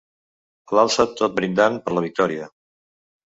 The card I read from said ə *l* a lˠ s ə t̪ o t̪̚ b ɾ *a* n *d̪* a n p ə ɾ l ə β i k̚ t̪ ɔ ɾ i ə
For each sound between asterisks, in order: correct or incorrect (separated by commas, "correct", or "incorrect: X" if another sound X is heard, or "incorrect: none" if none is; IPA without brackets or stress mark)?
correct, incorrect: i, correct